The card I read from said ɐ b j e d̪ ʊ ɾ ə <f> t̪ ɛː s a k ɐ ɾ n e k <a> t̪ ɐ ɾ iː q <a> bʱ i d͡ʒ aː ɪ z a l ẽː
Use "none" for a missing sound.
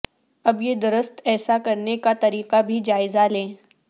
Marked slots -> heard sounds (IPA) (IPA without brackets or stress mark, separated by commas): s, a, a